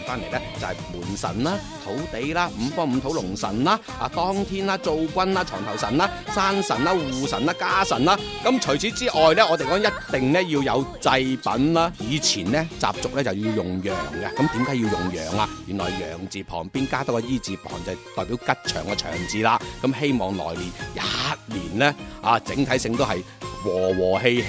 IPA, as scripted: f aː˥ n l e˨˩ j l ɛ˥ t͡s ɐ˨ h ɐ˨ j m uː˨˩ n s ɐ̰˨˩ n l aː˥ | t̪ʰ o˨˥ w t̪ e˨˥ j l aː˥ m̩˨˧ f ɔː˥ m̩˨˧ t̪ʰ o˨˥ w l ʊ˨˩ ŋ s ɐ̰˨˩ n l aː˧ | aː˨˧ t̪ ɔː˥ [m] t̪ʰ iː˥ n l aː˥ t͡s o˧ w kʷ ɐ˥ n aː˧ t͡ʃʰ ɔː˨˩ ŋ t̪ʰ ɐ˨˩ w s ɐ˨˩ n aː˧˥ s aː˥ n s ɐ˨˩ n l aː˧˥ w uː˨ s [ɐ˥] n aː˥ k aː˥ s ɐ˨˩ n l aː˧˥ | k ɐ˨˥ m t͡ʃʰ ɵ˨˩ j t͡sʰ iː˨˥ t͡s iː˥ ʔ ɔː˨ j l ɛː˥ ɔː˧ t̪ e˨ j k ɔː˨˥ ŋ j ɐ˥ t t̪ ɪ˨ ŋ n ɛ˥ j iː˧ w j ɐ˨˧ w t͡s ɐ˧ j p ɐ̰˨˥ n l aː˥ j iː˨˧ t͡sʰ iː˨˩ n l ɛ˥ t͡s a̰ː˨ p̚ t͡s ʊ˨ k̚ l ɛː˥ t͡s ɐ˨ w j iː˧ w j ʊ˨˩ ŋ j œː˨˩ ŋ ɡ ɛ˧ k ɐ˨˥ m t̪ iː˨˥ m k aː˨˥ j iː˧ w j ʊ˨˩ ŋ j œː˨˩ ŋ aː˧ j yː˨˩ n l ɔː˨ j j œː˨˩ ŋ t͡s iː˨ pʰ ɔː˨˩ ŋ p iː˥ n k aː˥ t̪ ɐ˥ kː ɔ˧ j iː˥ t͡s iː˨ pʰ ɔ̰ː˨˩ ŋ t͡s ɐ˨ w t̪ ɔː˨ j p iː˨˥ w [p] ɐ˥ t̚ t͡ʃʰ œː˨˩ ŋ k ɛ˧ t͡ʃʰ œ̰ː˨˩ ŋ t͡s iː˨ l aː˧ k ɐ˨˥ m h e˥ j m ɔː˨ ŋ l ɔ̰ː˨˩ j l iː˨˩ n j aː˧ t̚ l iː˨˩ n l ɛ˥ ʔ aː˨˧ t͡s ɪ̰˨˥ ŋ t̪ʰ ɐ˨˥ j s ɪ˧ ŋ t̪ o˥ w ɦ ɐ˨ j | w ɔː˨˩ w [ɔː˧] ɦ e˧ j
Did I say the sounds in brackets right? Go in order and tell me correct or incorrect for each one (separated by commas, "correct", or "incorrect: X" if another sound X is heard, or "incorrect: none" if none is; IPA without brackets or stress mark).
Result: incorrect: ŋ, incorrect: ɐ˨˩, incorrect: k, incorrect: ɔː˨˩